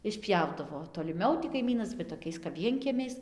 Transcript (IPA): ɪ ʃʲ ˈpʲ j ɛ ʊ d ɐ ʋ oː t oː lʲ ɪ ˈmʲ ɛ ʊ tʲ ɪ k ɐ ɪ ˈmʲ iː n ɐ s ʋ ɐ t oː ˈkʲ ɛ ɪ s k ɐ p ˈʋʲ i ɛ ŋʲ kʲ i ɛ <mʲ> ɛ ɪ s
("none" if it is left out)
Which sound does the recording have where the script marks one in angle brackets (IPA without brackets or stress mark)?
mʲ